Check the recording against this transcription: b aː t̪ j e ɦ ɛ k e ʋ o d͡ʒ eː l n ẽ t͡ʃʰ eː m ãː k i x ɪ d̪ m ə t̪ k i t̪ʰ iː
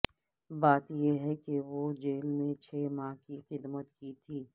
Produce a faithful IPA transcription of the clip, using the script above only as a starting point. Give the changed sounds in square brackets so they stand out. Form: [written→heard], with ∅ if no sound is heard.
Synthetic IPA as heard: b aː t̪ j e ɦ ɛ k e ʋ o d͡ʒ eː l [n→m] ẽ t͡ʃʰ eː m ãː k i x ɪ d̪ m ə t̪ k i t̪ʰ iː